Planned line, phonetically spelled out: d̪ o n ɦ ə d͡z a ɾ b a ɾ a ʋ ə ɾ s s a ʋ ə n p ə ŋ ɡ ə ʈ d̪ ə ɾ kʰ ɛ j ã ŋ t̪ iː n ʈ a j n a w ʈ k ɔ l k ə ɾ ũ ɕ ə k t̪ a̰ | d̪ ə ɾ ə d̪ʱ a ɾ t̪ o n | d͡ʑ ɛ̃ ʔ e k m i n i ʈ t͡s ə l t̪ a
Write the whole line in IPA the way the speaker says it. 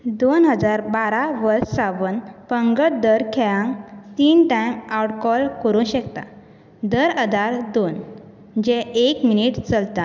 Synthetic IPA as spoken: d̪ o n ɦ ə d͡z a ɾ b a ɾ a ʋ ə ɾ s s a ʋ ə n p ə ŋ ɡ ə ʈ d̪ ə ɾ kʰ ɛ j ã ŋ t̪ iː n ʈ a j m a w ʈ k ɔ l k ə ɾ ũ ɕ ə k t̪ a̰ | d̪ ə ɾ ə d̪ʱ a ɾ d̪ o n | d͡ʑ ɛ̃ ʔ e k m i n i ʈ t͡s ə l t̪ a